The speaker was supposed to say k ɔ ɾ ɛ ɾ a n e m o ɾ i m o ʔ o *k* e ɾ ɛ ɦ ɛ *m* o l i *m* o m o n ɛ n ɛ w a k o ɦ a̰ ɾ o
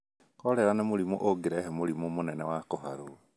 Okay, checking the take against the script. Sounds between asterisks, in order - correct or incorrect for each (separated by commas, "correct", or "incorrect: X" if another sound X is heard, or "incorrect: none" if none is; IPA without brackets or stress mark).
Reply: incorrect: ɡ, correct, correct